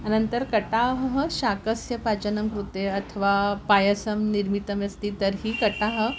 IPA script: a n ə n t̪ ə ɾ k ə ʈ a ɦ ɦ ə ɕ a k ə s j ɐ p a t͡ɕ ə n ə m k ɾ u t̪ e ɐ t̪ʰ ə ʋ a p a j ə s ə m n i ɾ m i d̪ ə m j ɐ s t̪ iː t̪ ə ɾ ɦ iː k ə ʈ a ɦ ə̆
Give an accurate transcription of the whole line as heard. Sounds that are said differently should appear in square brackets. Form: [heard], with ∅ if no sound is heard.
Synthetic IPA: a n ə n t̪ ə ɾ k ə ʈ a ɦ ɦ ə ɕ a k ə s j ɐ p a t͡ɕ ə n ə m k ɾ u t̪ e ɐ t̪ʰ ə ʋ a p a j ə s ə m n i ɾ m i [t̪] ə m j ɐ s t̪ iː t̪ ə ɾ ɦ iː k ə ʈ a ɦ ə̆